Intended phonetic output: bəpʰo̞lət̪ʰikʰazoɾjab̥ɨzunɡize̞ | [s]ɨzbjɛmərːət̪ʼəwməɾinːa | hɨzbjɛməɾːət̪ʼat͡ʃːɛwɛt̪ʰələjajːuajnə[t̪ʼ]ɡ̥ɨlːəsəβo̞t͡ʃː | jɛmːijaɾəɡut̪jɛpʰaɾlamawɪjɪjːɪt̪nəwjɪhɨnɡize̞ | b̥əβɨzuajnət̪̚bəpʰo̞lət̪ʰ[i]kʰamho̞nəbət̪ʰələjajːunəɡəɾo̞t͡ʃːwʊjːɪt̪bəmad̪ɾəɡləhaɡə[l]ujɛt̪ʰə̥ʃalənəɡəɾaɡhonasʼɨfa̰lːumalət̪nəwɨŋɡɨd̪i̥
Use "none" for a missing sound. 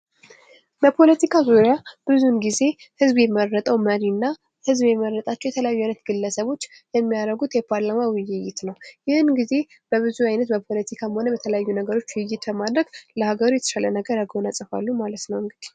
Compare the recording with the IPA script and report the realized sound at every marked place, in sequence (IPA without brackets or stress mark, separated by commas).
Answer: h, t̪, i, ɾ